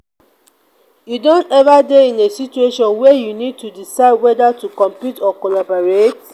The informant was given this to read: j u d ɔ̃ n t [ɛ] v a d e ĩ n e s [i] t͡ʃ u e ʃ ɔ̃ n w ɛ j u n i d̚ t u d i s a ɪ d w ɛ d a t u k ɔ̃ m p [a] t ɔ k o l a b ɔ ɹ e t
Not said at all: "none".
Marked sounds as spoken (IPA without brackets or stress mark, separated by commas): ɛ, i, i